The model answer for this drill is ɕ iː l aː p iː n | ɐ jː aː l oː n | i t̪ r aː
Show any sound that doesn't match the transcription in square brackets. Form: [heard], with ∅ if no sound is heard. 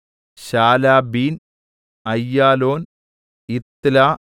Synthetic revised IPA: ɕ [aː] l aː [b] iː n | ɐ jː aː l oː n | i t̪ [l] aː